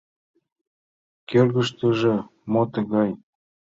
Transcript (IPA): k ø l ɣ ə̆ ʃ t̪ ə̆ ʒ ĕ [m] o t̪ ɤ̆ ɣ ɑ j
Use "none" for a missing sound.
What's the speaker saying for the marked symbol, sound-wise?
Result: m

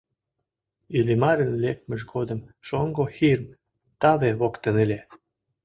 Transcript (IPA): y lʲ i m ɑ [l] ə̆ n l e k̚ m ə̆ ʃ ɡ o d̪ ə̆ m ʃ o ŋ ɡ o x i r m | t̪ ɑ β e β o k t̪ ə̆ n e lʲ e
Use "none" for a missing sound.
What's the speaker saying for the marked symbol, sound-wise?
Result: ɾ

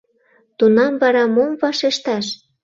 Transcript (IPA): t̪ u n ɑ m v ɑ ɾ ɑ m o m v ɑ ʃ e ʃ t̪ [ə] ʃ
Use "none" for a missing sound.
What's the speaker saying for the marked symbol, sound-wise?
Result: ɑ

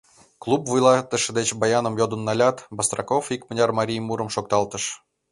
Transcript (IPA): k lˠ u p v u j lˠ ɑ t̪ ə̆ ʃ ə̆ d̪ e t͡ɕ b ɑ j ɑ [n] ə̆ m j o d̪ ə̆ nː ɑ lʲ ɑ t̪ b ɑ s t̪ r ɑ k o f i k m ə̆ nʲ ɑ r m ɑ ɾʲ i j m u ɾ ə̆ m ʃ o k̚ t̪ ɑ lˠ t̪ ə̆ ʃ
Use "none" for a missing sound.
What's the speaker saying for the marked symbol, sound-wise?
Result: n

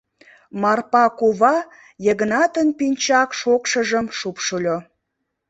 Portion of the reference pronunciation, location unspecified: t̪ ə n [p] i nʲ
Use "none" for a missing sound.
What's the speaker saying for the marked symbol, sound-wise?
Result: p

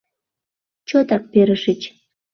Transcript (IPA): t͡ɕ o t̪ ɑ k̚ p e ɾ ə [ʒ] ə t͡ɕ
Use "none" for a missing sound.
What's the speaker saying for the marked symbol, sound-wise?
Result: ʃ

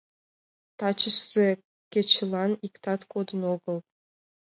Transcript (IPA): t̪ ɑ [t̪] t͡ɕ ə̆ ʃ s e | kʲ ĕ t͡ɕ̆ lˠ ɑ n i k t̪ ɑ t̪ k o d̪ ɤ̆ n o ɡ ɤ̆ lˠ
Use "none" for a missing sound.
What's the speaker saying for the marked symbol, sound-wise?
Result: none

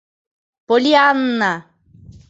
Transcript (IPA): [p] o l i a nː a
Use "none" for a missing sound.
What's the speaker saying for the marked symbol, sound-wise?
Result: p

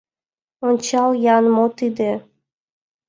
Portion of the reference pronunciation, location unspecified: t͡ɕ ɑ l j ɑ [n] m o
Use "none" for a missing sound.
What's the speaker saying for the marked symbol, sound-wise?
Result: n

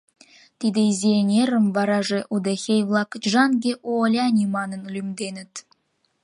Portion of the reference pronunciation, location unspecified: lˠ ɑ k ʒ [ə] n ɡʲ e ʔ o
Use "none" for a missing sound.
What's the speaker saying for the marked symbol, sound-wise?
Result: ɑ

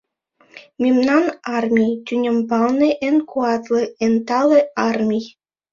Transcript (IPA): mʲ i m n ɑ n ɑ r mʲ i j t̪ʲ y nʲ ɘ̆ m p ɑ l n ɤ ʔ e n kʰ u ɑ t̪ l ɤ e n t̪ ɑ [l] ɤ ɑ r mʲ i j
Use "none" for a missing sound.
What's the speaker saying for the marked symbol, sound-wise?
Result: l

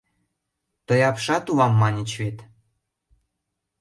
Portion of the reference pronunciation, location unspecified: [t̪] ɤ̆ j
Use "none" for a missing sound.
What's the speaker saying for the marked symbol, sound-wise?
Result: t̪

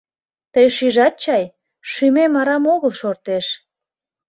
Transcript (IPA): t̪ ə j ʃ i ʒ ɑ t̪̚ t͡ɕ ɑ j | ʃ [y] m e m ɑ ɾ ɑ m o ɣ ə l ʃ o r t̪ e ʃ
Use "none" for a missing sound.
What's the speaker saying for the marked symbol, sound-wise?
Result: y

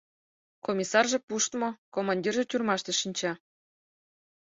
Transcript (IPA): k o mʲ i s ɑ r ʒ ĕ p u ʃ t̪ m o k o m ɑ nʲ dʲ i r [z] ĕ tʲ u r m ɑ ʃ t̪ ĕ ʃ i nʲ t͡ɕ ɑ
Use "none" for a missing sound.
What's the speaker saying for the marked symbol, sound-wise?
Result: ʒ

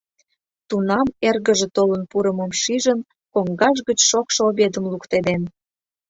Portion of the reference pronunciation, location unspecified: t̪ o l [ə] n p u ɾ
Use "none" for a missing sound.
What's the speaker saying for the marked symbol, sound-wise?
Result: ə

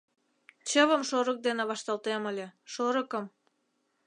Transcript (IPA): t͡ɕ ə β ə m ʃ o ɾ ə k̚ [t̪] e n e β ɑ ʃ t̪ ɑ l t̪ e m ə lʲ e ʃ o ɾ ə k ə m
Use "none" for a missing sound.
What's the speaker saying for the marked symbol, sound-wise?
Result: d̪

